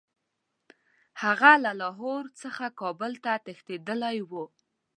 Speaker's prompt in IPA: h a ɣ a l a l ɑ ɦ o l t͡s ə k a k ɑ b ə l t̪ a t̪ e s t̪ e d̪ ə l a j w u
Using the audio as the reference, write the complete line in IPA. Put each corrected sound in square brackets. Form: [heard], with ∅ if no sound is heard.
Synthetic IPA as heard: h a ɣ a l a l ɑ ɦ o [ɾ] t͡s ə [x] a k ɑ b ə l t̪ a t̪ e [x] t̪ e d̪ ə l a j w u